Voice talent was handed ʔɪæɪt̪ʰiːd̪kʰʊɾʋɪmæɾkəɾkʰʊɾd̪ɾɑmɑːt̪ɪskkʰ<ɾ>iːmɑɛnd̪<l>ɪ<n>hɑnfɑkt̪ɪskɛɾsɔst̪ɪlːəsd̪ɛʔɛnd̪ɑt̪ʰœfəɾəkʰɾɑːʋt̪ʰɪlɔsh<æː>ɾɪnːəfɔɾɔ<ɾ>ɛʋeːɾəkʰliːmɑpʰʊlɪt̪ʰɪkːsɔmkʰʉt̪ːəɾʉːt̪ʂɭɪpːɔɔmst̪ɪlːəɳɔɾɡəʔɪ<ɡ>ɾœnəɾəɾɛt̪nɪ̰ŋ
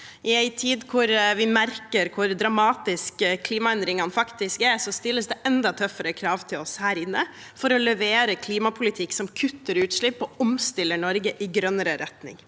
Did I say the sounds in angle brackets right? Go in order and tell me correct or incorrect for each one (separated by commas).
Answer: incorrect, incorrect, incorrect, correct, incorrect, correct